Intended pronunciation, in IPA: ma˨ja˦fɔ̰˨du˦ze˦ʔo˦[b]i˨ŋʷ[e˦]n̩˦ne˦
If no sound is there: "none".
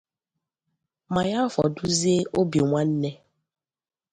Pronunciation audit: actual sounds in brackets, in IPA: b, a˦

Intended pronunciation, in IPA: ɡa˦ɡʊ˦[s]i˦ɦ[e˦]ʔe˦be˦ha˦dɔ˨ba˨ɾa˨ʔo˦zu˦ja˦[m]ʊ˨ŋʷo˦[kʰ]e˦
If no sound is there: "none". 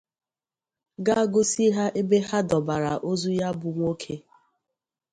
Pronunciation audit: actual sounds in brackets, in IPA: s, a˦, b, kʰ

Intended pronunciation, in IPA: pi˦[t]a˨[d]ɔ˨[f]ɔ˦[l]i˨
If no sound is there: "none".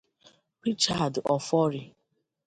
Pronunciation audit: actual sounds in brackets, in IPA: t͡ʃ, d, f, ɾ

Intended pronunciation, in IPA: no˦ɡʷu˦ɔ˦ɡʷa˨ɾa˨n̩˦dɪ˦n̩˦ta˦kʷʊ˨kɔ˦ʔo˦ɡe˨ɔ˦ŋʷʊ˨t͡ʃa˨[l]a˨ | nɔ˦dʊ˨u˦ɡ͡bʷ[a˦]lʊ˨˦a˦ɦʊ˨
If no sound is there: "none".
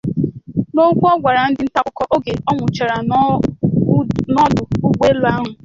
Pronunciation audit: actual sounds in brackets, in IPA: ɾ, e˦

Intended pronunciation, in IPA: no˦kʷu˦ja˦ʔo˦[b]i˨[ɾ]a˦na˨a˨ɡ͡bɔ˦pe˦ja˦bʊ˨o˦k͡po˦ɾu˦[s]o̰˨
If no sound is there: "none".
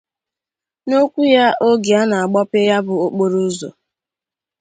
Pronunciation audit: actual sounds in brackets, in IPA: ɡ, none, z

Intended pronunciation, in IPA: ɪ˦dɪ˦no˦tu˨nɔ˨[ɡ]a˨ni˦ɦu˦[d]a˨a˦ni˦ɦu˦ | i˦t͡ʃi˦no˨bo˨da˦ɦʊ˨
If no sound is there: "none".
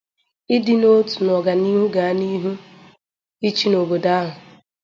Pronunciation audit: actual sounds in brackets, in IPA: ɡ, ɡ

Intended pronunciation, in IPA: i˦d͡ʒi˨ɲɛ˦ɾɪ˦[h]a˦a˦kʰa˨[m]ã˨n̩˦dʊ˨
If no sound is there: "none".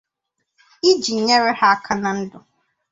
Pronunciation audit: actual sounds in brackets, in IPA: h, n

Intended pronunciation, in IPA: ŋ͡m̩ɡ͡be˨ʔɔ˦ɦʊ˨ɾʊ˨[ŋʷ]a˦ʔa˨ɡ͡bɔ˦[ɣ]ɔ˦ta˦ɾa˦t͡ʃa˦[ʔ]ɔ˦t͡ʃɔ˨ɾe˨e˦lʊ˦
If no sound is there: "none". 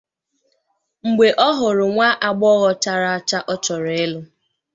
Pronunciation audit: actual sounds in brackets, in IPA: ŋʷ, ɣ, ʔ

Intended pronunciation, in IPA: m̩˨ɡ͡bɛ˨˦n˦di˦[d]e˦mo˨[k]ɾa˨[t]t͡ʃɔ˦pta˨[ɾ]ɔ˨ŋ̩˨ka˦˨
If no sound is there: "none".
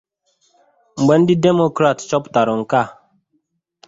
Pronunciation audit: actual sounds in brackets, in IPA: d, k, t, ɾ

